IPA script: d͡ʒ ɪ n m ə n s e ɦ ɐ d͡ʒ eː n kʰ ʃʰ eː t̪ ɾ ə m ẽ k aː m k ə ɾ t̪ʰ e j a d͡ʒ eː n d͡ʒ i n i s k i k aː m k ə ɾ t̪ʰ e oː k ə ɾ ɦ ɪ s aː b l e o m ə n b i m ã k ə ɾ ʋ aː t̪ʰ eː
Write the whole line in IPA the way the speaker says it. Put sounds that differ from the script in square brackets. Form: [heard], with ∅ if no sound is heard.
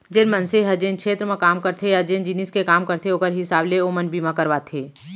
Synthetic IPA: d͡ʒ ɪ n m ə n s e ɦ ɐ d͡ʒ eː n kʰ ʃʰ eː t̪ ɾ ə m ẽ k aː m k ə ɾ t̪ʰ e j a d͡ʒ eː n d͡ʒ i n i s k [e] k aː m k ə ɾ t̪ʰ e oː k ə ɾ ɦ ɪ s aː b l e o m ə n b i m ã k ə ɾ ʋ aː t̪ʰ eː